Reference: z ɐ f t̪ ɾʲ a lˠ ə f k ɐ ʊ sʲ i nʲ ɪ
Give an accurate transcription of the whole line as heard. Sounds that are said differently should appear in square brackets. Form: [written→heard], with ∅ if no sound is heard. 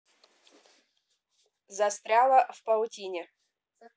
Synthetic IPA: z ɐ [f→s] t̪ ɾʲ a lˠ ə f [k→p] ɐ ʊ [sʲ→tʲ] i nʲ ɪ